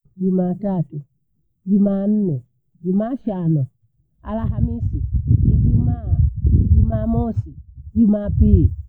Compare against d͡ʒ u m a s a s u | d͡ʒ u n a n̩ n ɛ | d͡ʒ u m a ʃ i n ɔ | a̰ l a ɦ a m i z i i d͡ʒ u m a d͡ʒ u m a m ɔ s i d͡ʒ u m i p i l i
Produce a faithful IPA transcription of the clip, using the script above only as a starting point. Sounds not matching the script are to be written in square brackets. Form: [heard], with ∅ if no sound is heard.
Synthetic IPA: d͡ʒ u m a [t] a [t] u | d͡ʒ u [m] a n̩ n ɛ | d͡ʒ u m a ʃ [a] n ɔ | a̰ l a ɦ a m i [s] i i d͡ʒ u m a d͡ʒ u m a m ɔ s i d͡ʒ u m [a] p i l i